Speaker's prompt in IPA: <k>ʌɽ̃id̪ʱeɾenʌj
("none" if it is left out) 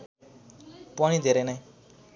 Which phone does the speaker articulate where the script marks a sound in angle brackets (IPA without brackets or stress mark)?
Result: p